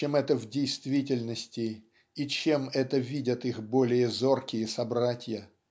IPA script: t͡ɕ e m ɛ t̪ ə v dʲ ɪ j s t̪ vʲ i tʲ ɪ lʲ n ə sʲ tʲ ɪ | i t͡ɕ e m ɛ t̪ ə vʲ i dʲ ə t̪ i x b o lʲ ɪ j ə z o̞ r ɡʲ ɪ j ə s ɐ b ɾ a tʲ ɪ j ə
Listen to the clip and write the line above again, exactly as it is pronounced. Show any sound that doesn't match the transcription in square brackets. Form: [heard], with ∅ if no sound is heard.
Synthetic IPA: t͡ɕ e m ɛ t̪ ə v dʲ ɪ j s t̪ vʲ i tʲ ɪ lʲ n ə sʲ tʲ ɪ | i t͡ɕ e m ɛ t̪ ə vʲ i dʲ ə t̪ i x b o lʲ ɪ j ə z o̞ r [kʲ] ɪ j ə s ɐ b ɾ a tʲ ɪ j ə